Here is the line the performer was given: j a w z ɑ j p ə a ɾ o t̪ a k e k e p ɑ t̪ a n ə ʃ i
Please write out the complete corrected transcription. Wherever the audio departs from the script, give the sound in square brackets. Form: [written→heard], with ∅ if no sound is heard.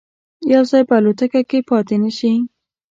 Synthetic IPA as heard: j a w z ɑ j p ə a [ɾ→l] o t̪ a k [e→a] k e p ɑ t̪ [a→e] n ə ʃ i